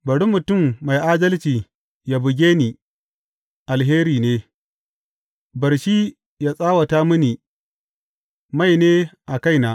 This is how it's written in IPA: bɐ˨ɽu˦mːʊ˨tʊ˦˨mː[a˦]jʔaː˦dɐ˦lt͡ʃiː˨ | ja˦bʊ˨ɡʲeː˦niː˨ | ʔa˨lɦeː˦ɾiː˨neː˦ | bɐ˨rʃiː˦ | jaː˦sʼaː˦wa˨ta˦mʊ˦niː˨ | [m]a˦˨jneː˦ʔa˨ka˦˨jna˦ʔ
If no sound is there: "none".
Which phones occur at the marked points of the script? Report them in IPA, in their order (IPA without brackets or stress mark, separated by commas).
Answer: a˨, m